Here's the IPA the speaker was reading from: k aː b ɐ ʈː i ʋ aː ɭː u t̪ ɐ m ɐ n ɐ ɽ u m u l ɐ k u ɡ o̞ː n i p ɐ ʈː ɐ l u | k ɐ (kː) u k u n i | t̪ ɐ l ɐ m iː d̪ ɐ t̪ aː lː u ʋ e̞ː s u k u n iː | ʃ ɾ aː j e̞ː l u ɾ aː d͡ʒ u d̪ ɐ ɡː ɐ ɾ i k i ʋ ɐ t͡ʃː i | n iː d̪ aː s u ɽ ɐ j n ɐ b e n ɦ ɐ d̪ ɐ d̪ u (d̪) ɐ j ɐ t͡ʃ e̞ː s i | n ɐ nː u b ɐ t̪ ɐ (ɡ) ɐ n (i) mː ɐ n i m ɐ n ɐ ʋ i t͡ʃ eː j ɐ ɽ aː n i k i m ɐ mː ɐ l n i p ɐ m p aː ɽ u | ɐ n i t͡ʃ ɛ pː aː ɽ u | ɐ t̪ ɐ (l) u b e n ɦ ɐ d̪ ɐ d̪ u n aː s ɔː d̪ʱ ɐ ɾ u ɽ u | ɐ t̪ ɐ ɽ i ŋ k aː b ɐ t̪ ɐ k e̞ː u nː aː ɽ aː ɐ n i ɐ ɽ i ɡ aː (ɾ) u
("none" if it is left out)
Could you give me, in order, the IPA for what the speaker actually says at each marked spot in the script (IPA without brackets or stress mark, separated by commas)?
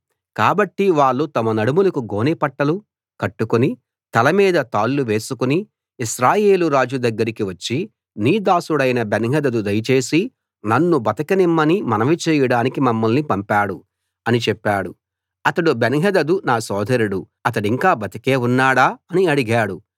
ʈː, d̪, k, i, ɽ, ɽ